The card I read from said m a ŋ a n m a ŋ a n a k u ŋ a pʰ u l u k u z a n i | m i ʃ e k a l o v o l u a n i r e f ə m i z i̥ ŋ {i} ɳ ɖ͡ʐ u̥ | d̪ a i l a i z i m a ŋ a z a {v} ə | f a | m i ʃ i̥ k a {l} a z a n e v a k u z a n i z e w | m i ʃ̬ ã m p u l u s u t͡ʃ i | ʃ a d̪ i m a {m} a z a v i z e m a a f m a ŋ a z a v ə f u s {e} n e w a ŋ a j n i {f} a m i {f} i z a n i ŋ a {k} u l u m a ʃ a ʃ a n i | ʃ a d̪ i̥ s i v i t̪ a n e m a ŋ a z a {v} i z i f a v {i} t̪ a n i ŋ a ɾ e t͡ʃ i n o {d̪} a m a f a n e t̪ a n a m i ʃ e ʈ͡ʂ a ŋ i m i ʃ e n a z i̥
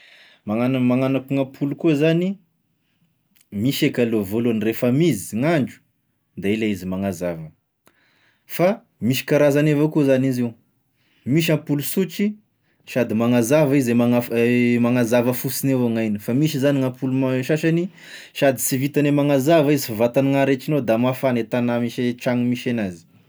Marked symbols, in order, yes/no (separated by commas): no, yes, no, no, no, yes, no, no, yes, no, yes